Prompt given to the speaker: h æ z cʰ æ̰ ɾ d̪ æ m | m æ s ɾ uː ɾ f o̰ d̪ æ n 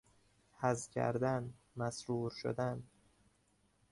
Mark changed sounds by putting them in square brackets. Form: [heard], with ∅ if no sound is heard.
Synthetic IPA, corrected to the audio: h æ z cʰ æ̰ ɾ d̪ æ [n] | m æ s ɾ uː ɾ [ʃ] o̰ d̪ æ n